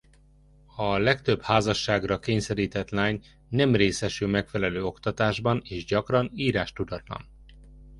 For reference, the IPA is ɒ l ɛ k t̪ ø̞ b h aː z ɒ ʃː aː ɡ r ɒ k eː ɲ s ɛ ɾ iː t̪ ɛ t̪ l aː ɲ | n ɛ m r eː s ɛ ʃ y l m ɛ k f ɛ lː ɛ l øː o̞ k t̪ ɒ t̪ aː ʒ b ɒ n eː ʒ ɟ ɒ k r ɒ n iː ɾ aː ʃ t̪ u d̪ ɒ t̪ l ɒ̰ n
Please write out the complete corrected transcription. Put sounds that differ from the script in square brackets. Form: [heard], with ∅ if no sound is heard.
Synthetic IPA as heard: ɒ l ɛ k t̪ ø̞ b h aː z ɒ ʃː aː ɡ r ɒ k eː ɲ s ɛ ɾ iː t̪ ɛ t̪ l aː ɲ | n ɛ m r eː s ɛ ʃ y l m ɛ k f ɛ [l] ɛ l øː o̞ k t̪ ɒ t̪ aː ʒ b ɒ n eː ʒ ɟ ɒ k r ɒ n iː ɾ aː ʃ t̪ u d̪ ɒ t̪ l ɒ̰ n